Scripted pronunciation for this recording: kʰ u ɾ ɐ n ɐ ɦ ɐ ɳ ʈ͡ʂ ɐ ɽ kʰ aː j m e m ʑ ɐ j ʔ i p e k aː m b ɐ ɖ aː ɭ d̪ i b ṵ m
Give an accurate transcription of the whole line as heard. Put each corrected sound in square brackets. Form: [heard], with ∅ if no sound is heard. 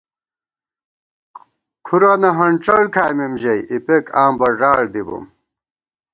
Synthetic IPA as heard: kʰ u ɾ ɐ n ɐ ɦ ɐ ɳ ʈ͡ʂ ɐ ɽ kʰ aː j m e m ʑ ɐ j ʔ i p e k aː m b ɐ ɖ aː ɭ d̪ i b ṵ m